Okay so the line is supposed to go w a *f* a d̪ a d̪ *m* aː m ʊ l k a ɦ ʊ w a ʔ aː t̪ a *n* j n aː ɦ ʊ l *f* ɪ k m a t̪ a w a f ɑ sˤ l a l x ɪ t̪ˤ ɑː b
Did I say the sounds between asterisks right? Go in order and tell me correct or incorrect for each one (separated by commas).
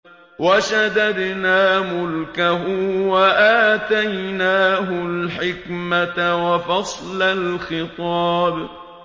incorrect, incorrect, incorrect, incorrect